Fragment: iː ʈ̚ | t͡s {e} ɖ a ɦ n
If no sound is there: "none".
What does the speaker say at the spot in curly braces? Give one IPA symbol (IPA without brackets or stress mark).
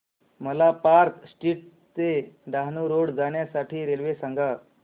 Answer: e